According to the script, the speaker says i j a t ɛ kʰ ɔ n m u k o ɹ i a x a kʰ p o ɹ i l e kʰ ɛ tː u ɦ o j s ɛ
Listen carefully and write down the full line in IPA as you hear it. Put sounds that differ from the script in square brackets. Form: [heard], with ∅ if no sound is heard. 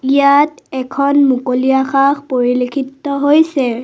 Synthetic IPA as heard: i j a t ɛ kʰ ɔ n m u k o [l] i a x a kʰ p o ɹ i l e kʰ [i] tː [ɔ] ɦ o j s ɛ